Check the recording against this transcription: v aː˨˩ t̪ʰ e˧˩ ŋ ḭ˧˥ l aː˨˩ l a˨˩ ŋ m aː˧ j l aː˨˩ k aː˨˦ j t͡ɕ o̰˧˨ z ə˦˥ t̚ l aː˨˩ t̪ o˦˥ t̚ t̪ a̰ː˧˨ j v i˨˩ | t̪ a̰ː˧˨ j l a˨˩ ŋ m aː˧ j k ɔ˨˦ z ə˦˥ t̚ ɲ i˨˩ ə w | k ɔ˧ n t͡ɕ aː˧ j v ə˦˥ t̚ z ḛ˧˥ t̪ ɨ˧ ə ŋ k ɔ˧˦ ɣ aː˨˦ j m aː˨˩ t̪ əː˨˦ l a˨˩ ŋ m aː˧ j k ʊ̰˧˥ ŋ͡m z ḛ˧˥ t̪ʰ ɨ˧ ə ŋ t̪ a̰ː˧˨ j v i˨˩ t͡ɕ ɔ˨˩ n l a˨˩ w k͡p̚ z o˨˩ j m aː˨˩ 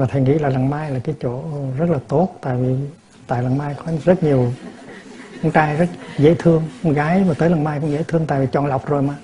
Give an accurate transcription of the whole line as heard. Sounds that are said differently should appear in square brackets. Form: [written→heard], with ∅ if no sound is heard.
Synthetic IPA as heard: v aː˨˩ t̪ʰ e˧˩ ŋ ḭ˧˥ l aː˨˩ l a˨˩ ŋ m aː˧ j l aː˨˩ k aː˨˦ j t͡ɕ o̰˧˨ z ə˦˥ t̚ l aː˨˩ t̪ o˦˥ t̚ t̪ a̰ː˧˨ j v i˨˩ | t̪ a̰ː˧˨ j l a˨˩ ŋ m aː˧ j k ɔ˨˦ z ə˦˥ t̚ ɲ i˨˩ ə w | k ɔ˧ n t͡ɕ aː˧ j [v→z] ə˦˥ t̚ z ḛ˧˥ [t̪→t̪ʰ] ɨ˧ ə ŋ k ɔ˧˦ ɣ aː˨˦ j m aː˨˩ t̪ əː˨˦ l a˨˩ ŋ m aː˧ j k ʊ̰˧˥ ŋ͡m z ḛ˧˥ t̪ʰ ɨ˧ ə ŋ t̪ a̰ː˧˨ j v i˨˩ t͡ɕ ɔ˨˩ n l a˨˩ w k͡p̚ z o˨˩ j m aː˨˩